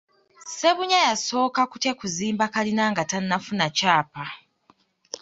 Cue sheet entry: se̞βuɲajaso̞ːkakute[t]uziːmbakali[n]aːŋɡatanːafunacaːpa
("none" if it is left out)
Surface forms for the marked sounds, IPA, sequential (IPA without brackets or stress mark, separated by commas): k, n